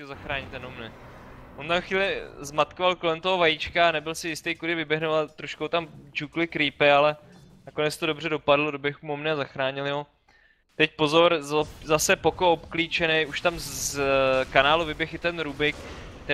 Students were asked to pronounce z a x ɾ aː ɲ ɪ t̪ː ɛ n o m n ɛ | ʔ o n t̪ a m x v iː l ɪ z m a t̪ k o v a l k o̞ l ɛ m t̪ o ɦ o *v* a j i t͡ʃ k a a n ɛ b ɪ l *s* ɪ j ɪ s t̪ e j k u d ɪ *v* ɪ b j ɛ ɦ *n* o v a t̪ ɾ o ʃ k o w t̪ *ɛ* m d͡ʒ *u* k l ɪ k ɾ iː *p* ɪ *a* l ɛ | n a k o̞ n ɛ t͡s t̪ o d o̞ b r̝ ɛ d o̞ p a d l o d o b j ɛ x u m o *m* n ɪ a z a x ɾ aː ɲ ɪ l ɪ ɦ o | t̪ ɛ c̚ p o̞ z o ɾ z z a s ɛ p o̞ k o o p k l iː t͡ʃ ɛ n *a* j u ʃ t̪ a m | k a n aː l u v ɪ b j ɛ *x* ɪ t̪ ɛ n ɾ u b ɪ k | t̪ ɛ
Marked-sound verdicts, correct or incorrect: correct, correct, correct, correct, incorrect: a, correct, correct, correct, correct, incorrect: ɛ, correct

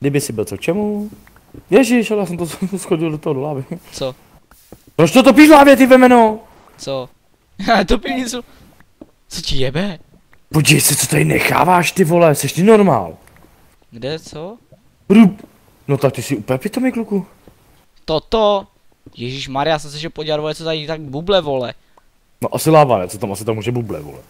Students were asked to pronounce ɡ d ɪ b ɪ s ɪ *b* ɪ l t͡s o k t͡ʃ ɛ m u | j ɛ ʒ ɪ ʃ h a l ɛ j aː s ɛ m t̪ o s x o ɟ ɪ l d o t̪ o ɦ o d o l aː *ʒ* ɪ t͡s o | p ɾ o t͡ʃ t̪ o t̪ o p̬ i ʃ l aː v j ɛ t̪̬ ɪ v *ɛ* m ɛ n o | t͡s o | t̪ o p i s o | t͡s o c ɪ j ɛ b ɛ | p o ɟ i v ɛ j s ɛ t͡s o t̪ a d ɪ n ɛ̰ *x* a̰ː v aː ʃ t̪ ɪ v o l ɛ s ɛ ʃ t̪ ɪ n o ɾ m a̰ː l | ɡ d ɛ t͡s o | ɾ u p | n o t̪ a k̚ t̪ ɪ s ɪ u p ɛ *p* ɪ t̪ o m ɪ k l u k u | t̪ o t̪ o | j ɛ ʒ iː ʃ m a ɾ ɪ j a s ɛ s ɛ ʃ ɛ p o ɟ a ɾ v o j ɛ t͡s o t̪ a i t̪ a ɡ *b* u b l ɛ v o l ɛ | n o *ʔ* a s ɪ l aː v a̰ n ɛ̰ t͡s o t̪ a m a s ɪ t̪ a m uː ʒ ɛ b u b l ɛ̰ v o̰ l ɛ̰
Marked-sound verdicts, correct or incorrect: correct, incorrect: v, correct, correct, correct, correct, correct

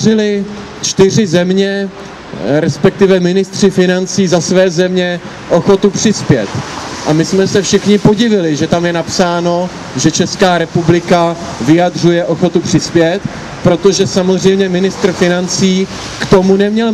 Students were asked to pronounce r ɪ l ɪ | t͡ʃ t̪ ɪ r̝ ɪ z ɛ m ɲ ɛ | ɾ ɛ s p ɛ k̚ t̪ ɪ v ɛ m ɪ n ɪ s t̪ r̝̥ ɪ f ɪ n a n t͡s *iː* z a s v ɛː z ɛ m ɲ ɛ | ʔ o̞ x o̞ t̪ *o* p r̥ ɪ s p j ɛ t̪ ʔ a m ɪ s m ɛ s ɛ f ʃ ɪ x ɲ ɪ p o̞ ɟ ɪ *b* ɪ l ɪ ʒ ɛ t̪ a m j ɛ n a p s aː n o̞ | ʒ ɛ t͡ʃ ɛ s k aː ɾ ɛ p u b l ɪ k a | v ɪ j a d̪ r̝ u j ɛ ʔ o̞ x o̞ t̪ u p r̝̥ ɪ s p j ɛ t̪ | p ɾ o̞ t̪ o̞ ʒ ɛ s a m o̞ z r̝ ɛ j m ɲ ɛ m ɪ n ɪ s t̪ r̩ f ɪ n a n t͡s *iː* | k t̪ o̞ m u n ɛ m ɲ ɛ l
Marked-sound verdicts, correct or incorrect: correct, incorrect: u, incorrect: v, correct

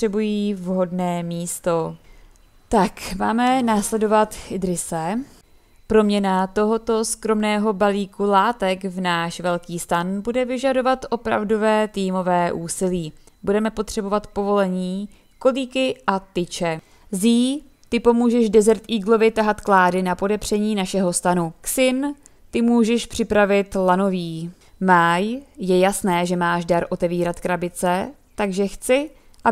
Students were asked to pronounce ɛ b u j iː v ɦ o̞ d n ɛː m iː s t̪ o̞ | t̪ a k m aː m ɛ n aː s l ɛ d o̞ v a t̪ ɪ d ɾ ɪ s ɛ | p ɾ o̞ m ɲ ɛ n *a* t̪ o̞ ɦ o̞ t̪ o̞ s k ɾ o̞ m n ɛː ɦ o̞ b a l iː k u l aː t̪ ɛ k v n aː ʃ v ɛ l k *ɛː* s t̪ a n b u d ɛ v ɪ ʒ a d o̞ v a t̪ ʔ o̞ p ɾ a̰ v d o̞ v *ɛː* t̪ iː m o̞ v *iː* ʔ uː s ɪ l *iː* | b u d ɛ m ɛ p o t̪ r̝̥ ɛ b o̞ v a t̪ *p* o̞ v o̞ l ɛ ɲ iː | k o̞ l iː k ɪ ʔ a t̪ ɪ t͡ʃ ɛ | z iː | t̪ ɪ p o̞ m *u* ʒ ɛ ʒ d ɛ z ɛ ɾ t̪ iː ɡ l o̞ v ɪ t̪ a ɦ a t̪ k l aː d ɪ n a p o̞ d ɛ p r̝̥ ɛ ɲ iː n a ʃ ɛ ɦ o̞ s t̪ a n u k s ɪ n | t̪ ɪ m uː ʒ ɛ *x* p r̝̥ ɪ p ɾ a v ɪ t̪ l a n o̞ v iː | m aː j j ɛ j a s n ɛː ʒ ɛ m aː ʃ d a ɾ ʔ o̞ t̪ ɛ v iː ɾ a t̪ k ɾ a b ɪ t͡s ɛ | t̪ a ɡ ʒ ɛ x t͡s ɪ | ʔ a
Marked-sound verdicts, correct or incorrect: correct, incorrect: iː, correct, incorrect: ɛː, correct, correct, incorrect: uː, incorrect: ʃ

